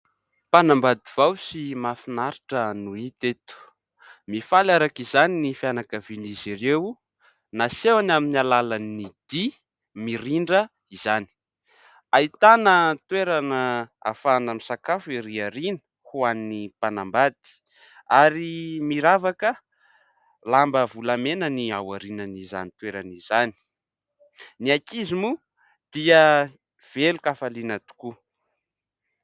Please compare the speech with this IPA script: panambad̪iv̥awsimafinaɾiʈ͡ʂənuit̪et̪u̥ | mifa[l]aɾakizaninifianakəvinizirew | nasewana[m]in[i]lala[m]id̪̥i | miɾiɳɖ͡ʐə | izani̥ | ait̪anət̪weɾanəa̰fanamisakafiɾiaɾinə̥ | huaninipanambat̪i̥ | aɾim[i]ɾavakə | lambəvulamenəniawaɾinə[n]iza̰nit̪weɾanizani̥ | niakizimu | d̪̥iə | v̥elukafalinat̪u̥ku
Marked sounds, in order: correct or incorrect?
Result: correct, correct, incorrect, incorrect, correct, correct

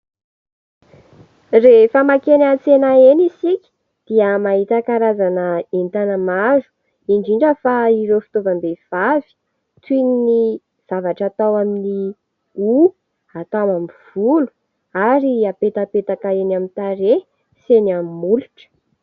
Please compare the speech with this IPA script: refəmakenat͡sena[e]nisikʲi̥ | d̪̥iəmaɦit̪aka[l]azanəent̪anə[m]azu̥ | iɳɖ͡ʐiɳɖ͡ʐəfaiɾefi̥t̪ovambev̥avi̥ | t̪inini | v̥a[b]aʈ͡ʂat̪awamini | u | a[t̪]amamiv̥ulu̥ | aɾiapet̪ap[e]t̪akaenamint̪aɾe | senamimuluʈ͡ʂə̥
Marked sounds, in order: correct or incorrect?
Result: correct, incorrect, correct, incorrect, correct, correct

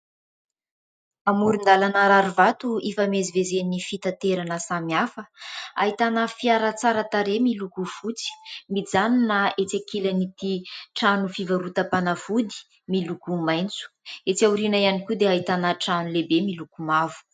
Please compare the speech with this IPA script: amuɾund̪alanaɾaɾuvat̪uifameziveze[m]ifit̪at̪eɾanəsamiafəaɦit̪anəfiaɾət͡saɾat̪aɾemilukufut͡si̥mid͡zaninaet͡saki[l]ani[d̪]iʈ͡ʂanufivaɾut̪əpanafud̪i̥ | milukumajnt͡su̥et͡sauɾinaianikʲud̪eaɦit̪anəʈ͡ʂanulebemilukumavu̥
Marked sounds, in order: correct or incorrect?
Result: incorrect, correct, incorrect

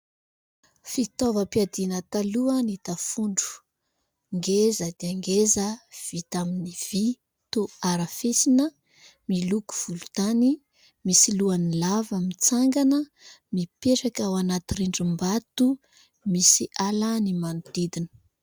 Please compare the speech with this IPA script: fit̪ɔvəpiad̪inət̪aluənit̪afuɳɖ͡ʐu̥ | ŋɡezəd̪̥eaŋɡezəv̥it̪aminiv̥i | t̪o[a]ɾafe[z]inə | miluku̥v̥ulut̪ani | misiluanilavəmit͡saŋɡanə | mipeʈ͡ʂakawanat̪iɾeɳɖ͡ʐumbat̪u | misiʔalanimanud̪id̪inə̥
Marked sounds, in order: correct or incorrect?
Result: correct, incorrect

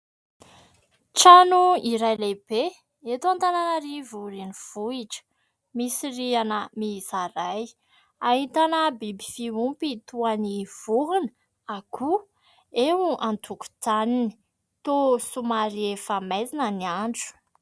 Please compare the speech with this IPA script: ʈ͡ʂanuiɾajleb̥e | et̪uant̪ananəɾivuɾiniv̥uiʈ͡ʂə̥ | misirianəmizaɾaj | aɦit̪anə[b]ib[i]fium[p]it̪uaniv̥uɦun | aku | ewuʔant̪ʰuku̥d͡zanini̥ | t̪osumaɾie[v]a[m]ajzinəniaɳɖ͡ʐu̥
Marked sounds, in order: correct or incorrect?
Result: correct, correct, correct, incorrect, correct

